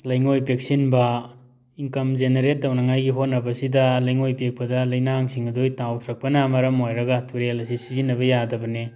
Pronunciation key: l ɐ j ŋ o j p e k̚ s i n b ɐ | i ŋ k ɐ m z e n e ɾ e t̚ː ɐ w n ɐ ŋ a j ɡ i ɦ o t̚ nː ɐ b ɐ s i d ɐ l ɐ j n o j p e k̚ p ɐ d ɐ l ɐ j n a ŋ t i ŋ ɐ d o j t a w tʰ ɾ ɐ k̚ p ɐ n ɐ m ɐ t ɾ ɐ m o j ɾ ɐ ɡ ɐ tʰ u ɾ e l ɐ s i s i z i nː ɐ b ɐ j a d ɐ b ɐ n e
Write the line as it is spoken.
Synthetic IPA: l ɐ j ŋ o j p e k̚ s i n b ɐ | i ŋ k ɐ m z e n e ɾ e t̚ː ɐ w n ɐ ŋ a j ɡ i ɦ o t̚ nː ɐ b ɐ s i d ɐ l ɐ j ŋ o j p e k̚ p ɐ d ɐ l ɐ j n a ŋ s i ŋ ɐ d o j t a w tʰ ɾ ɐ k̚ p ɐ n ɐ m ɐ ɾ ɐ m o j ɾ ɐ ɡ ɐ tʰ u ɾ e l ɐ s i s i z i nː ɐ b ɐ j a d ɐ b ɐ n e